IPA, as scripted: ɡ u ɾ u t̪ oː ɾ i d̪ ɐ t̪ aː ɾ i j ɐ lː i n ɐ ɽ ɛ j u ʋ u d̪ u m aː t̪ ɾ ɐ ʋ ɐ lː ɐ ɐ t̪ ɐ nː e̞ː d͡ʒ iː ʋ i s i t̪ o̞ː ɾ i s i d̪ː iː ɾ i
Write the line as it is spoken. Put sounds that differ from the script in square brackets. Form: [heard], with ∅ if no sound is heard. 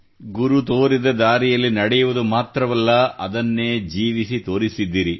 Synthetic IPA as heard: ɡ u ɾ u t̪ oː ɾ i d̪ ɐ [d̪] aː ɾ i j ɐ lː i n ɐ ɽ ɛ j u ʋ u d̪ u m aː t̪ ɾ ɐ ʋ ɐ lː ɐ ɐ [d̪] ɐ nː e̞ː d͡ʒ iː ʋ i s i t̪ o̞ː ɾ i s i d̪ː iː ɾ i